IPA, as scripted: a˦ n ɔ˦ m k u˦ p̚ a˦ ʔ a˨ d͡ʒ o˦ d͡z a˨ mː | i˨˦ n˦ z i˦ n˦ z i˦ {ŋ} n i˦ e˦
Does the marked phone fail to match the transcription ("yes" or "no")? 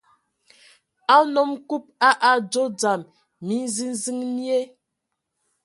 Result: no